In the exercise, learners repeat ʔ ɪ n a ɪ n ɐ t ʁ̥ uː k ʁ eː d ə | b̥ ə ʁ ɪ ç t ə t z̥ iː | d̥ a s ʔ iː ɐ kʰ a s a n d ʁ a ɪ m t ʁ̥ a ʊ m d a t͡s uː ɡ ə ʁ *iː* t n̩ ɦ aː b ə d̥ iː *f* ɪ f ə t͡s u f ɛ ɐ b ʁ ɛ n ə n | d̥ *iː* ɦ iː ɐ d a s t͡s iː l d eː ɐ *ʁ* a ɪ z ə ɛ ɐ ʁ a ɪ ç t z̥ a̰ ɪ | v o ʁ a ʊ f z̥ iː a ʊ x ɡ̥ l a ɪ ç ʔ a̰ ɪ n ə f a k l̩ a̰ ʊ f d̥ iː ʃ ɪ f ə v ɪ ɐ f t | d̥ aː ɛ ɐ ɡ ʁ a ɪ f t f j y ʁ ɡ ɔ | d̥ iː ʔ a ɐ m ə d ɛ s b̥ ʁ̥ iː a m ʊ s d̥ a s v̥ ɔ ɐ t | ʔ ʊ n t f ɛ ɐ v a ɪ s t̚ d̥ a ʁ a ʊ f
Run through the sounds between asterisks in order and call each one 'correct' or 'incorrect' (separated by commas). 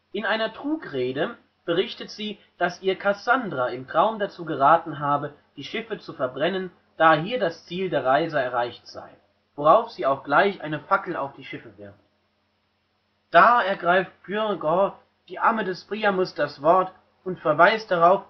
incorrect, incorrect, incorrect, correct